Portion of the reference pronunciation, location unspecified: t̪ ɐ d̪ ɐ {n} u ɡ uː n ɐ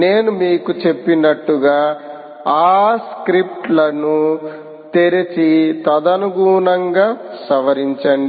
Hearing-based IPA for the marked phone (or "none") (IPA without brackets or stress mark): n